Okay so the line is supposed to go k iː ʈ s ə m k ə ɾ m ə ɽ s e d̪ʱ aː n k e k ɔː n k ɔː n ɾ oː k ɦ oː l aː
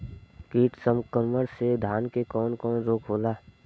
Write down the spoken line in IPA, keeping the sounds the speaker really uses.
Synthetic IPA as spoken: k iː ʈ s ə m k ə ɾ m ə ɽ s e d̪ʱ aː n k e k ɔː n k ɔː n ɾ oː k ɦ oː l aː